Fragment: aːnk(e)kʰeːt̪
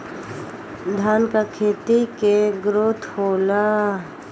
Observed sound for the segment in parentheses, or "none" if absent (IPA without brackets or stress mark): a